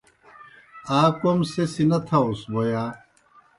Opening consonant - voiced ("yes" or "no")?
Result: no